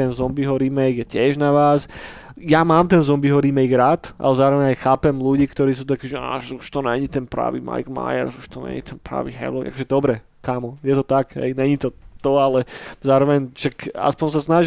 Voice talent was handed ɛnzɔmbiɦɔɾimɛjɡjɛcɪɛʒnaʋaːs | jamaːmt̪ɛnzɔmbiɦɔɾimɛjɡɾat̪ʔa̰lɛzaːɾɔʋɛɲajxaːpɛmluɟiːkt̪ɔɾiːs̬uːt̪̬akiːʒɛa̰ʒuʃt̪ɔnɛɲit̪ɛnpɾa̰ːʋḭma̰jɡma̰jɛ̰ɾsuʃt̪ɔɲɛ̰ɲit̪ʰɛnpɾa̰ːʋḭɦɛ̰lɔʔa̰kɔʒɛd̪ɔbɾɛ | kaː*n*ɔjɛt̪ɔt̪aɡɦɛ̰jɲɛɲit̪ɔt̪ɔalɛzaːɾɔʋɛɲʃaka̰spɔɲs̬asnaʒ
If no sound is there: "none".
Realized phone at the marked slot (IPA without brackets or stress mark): m